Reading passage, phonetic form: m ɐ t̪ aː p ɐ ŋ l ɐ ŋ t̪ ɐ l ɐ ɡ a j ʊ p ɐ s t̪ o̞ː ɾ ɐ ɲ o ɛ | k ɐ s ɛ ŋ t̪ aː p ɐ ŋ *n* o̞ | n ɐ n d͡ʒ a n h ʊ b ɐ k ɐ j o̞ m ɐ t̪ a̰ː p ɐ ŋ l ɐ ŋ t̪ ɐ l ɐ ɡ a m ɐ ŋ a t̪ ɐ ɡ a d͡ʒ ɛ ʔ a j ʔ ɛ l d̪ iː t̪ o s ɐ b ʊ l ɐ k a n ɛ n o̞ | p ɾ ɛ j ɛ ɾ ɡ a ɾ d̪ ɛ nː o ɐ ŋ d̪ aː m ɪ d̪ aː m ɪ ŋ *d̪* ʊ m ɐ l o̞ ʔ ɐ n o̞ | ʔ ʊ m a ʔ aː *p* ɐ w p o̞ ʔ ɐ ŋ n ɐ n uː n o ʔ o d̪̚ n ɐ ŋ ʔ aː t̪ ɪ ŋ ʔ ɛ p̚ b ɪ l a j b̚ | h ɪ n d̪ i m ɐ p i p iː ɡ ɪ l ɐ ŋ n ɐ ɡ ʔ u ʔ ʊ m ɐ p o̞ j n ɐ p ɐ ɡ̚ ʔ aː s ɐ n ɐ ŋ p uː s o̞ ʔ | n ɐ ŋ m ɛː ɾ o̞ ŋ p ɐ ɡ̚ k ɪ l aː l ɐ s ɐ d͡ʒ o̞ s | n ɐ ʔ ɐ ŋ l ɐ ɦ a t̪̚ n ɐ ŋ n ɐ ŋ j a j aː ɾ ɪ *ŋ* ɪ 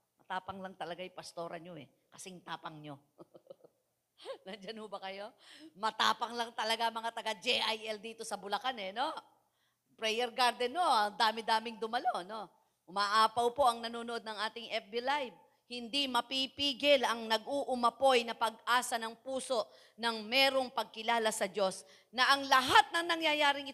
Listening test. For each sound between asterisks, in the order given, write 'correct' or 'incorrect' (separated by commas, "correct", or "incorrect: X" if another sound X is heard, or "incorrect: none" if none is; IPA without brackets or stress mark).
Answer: incorrect: ɲ, correct, correct, correct